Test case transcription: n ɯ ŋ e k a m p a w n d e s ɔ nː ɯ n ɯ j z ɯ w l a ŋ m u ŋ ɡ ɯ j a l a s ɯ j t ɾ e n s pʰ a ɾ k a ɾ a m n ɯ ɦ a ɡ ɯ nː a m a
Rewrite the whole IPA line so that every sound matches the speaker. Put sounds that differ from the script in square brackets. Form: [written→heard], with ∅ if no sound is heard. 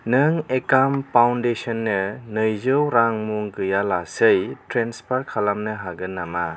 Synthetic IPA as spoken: n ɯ ŋ e k a m p a w n d e s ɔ nː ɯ n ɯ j z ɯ w [l→ɾ] a ŋ m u ŋ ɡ ɯ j a l a s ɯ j t ɾ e n s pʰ a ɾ [k→kʰ] a [ɾ→l] a m n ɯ ɦ a ɡ ɯ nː a m a

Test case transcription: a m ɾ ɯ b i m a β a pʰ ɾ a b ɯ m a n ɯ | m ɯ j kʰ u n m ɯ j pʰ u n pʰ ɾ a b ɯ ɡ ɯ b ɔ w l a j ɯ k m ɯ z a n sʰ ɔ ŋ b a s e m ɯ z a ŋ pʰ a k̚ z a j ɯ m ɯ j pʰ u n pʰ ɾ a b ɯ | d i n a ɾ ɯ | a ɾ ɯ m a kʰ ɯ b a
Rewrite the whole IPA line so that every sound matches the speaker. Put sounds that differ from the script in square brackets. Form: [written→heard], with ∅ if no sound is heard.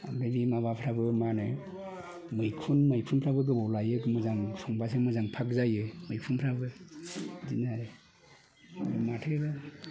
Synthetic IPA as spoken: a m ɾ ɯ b i m a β a pʰ ɾ a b ɯ m a n ɯ | m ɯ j kʰ u n m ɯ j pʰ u n pʰ ɾ a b ɯ ɡ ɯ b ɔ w l a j ɯ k m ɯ z a [n→ŋ] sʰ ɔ ŋ b a s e m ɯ z a ŋ pʰ a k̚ z a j ɯ m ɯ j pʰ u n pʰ ɾ a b ɯ | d i n a ɾ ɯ | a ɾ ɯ m a [kʰ→tʰ] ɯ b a

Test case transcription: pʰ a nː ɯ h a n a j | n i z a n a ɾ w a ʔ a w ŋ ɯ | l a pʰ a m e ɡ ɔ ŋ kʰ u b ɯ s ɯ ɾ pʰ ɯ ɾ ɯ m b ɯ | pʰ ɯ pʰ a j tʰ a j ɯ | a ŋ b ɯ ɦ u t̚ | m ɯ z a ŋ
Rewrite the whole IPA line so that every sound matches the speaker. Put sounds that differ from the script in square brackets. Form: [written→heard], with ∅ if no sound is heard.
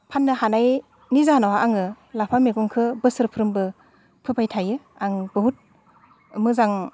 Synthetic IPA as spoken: pʰ a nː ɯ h a n a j | n i z a n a [ɾ→∅] w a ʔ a [w→∅] ŋ ɯ | l a pʰ a m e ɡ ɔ ŋ kʰ [u→ɯ] b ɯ s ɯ ɾ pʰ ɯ ɾ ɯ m b ɯ | pʰ ɯ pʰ a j tʰ a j ɯ | a ŋ b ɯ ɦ u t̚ | m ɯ z a ŋ

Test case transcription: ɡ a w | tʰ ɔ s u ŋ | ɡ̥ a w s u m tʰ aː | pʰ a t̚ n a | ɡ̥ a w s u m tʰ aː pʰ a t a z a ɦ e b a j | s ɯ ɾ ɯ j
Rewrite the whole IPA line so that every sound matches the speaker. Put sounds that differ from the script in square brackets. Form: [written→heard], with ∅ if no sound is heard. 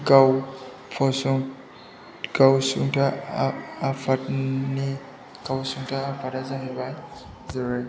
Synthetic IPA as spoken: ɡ a w | [tʰ→pʰ] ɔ s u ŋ | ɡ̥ a w s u [m→ŋ] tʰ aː | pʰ a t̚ n [a→i] | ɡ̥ a w s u [m→ŋ] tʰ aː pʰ a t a z a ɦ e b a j | [s→z] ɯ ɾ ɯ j

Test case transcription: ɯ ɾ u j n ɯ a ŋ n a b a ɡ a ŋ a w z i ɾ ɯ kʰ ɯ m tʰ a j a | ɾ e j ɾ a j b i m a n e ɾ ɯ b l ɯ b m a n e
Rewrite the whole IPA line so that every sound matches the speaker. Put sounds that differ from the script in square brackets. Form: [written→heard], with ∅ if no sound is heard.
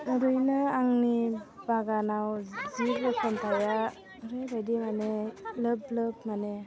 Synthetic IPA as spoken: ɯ ɾ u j n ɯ a ŋ n [a→i] b a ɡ a [ŋ→n] a w z i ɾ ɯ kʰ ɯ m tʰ a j a | ɾ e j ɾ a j [b→d] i m a n e [ɾ→l] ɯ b l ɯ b m a n e

